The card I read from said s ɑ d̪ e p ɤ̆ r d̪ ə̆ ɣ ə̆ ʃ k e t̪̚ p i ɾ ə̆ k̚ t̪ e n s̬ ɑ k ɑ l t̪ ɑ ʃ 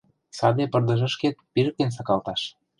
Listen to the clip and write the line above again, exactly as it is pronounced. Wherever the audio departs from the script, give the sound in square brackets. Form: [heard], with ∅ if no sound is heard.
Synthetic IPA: s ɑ d̪ e p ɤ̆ r d̪ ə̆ [ʒ] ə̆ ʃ k e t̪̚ p i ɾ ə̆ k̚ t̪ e n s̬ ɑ k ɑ l t̪ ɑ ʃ